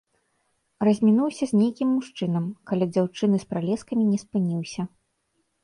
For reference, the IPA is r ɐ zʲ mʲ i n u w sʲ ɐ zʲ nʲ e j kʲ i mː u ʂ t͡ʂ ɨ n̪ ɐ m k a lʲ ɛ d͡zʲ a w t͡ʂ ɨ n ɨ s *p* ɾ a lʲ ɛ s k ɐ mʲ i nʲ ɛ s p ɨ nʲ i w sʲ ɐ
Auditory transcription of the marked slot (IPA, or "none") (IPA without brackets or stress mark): p